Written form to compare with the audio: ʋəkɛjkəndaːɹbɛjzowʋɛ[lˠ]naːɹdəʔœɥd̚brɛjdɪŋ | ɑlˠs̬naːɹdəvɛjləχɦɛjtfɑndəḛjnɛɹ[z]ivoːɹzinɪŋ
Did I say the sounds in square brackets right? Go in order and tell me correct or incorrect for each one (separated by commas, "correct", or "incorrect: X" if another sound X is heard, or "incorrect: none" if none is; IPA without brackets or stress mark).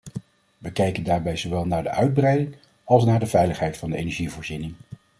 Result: correct, incorrect: ʒ